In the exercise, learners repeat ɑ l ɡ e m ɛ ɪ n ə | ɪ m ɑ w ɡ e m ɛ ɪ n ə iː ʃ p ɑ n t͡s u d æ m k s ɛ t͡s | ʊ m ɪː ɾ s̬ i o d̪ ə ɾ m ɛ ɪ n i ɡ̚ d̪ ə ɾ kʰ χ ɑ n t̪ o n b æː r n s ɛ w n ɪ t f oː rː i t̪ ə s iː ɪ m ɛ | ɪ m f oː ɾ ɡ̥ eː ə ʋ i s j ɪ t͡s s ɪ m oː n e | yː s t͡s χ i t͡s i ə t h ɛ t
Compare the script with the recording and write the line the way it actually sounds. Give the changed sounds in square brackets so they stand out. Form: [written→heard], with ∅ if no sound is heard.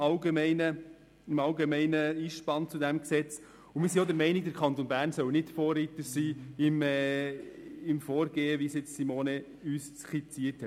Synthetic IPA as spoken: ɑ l ɡ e m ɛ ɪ n ə | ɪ m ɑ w ɡ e m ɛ ɪ n ə iː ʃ p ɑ n t͡s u d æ m k s ɛ t͡s | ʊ m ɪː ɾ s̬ i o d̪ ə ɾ m ɛ ɪ n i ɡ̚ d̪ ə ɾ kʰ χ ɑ n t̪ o n b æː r n s [ɛ→œ] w n ɪ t f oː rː i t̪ ə s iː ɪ m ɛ | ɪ m f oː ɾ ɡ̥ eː ə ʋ i s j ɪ t͡s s [ɪ→i] m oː n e | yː s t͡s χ i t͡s i ə t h ɛ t

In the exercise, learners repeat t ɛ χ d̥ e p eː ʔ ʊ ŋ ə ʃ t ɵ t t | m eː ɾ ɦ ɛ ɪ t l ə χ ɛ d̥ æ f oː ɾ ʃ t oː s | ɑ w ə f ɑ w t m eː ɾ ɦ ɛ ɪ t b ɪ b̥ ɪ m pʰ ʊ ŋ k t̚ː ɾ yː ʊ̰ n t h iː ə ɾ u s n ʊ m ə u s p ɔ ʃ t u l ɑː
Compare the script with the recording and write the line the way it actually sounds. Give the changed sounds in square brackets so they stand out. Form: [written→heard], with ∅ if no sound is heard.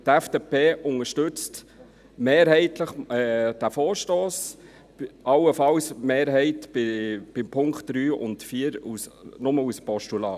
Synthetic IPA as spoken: t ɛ [χ→f] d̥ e p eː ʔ ʊ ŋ ə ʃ t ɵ [t→t͡s] t | m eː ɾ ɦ ɛ ɪ t l ə χ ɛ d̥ æ f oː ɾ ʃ t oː s | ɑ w ə f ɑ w [t→s] m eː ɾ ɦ ɛ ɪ t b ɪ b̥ ɪ m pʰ ʊ ŋ k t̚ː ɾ yː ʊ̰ n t [h→f] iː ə ɾ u s n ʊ m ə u s p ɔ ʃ t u l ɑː

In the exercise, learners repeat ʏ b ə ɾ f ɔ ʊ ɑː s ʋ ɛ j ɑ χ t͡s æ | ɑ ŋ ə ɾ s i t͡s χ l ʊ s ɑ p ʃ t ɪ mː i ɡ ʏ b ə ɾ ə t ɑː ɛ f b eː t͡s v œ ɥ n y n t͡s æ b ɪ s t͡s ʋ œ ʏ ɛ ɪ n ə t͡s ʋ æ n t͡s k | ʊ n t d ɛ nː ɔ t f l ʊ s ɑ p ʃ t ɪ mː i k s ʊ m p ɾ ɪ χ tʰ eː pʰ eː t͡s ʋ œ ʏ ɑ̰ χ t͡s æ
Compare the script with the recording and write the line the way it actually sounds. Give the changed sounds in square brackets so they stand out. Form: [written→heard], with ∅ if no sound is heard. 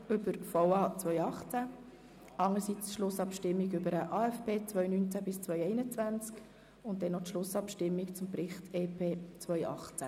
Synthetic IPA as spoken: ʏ b ə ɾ f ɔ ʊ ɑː [s→t͡s] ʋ [ɛ→œ] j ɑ χ t͡s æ | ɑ ŋ ə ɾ s i t͡s [χ→ʃ] l ʊ s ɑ p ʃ t ɪ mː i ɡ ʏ b ə ɾ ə [t→ʔ] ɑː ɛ f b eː t͡s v œ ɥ n y n t͡s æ b ɪ s t͡s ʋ œ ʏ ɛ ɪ n ə t͡s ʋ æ n t͡s k | ʊ n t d ɛ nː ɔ t [f→ʃ] l ʊ s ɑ p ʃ t ɪ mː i k [s→t͡s] ʊ m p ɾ ɪ χ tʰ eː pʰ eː t͡s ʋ œ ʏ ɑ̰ χ t͡s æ

